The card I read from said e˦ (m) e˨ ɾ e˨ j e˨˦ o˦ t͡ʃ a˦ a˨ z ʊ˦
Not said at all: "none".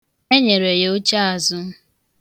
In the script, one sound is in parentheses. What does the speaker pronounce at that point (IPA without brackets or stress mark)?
ɲ